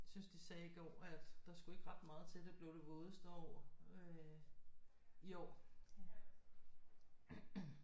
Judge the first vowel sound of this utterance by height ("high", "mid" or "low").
high